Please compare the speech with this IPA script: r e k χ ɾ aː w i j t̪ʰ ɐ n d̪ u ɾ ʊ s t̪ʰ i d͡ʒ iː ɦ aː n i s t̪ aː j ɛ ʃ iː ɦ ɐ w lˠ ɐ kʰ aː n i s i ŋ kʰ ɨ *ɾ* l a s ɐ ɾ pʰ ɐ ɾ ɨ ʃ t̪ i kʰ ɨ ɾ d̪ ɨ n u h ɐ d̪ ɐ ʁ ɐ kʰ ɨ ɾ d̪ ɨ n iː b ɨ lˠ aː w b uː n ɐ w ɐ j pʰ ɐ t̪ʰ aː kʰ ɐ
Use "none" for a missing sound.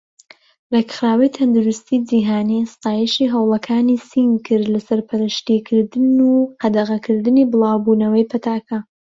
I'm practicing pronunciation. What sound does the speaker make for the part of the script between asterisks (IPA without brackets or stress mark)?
ɾ